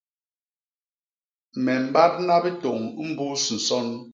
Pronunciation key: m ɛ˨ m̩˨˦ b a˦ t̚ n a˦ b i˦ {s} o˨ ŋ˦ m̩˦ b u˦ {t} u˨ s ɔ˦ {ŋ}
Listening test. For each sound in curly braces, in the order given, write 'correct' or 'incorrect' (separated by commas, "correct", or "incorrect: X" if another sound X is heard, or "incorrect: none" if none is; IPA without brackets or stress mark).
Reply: incorrect: t, incorrect: s, incorrect: n